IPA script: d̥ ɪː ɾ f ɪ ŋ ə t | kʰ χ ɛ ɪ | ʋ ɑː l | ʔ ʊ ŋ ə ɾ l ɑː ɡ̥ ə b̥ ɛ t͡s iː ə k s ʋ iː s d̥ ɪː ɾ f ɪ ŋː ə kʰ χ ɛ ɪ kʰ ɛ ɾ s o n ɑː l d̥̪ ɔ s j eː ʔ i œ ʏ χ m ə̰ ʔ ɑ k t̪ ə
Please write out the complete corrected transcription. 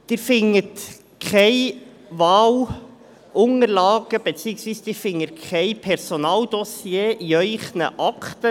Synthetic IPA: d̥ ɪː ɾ f ɪ ŋ ə t | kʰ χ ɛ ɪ | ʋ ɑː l | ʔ ʊ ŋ ə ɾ l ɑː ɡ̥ ə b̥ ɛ t͡s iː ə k s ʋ iː s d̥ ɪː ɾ f ɪ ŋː ə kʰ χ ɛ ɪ pʰ ɛ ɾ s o n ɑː l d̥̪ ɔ s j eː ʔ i œ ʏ χ n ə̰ ʔ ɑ k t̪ ə